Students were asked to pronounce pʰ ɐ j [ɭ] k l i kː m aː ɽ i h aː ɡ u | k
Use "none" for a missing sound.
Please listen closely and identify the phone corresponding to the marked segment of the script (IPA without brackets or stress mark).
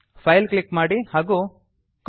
l